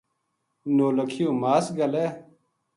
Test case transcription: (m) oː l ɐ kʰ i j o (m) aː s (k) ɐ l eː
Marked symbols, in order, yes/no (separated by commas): no, yes, no